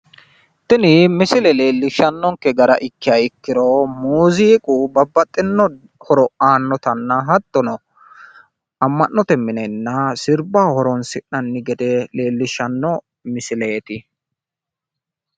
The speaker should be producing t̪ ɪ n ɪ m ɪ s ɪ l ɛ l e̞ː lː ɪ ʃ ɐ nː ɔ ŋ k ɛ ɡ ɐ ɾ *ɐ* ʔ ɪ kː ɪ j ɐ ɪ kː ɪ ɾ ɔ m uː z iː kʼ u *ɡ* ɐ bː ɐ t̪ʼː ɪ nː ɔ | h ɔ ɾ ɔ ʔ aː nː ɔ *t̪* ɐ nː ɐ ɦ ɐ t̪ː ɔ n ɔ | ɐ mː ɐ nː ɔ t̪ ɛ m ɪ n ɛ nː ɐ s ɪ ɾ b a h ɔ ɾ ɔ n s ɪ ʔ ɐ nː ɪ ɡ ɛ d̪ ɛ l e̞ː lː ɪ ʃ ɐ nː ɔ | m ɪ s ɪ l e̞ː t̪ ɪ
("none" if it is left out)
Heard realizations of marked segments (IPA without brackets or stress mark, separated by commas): ɐ, b, t̪